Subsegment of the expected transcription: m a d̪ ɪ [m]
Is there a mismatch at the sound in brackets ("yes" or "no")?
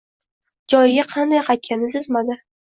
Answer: yes